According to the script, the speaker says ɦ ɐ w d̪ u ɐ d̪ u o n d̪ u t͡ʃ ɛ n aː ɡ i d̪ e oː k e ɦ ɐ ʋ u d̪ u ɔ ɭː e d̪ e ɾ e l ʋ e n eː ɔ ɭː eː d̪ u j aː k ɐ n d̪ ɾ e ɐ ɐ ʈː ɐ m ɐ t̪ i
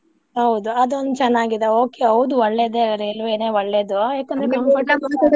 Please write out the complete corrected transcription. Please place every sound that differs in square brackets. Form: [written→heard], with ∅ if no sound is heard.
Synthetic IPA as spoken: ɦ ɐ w d̪ u ɐ d̪ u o n d̪ u t͡ʃ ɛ [n→nː] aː ɡ i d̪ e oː k e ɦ ɐ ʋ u d̪ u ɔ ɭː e d̪ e ɾ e l ʋ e n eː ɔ ɭː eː d̪ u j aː k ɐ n d̪ ɾ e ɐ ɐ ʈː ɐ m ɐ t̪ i

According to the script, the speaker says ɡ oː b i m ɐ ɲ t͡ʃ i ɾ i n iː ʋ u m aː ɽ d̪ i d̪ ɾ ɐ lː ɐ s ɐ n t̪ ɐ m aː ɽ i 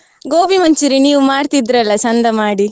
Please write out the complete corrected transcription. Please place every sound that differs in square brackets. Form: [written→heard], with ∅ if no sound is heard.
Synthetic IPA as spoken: ɡ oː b i m ɐ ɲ t͡ʃ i ɾ i n iː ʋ u m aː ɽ [d̪→t̪] i d̪ ɾ ɐ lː ɐ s ɐ n [t̪→d̪] ɐ m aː ɽ i

